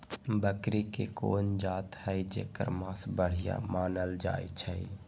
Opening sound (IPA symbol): b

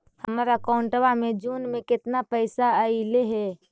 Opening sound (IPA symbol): h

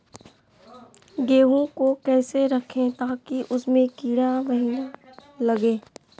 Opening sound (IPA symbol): ɡ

